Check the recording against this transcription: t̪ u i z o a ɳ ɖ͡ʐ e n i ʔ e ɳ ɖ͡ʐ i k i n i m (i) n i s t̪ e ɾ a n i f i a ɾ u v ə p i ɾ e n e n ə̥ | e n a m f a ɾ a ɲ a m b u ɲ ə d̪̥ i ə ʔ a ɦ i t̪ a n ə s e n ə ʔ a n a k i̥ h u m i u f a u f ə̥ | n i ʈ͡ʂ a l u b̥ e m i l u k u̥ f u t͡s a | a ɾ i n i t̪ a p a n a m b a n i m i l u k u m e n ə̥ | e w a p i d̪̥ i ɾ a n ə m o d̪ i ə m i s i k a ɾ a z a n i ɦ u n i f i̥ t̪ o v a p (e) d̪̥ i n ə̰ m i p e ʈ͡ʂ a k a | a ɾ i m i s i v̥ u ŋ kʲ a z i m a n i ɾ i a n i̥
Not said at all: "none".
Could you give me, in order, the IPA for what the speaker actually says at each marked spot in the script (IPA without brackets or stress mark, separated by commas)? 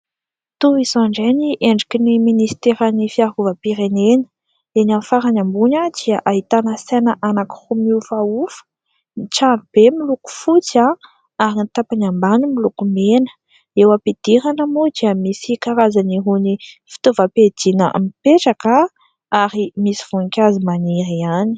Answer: i, e